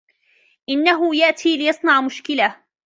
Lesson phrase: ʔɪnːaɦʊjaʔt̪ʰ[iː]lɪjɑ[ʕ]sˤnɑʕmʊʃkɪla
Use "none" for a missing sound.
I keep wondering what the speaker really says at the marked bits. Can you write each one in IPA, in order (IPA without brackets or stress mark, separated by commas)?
iː, none